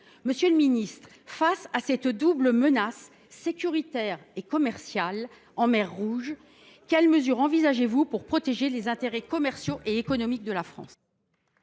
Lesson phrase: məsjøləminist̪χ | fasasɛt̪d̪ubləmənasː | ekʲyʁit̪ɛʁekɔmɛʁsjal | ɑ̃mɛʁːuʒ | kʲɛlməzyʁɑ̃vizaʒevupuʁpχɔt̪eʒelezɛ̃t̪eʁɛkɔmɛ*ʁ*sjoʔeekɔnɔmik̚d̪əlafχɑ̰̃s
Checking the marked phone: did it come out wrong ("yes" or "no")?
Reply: no